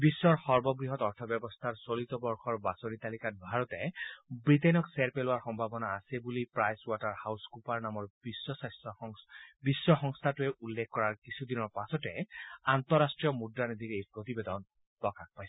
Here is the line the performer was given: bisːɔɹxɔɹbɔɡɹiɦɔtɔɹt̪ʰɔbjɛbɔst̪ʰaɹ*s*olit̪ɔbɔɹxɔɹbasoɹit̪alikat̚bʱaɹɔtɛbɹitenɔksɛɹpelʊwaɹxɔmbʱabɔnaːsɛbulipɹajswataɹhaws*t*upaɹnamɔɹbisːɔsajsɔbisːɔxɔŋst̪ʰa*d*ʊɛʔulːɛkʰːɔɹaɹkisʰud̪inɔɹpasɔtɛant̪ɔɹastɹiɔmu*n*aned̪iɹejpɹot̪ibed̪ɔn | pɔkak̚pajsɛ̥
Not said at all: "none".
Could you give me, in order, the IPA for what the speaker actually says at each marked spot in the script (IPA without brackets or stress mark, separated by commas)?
s, k, t, d